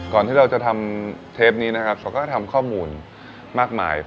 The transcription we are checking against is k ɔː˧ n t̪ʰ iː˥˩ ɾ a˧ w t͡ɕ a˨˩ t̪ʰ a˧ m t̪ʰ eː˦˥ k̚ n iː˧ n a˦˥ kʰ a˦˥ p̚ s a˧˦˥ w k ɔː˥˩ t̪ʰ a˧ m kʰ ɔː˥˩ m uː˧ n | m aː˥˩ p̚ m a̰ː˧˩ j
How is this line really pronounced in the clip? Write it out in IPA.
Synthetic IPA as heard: k ɔː˨˩ n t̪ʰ iː˥˩ ɾ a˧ w t͡ɕ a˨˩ t̪ʰ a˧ m t̪ʰ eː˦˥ p̚ n iː˦˥ n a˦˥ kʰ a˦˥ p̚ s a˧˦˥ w k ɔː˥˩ t̪ʰ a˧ m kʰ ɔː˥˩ m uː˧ n | m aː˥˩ k̚ m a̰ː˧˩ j